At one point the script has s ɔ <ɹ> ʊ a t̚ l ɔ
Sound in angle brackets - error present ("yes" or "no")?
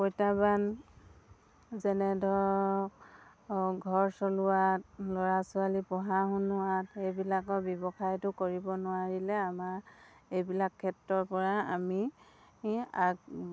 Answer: yes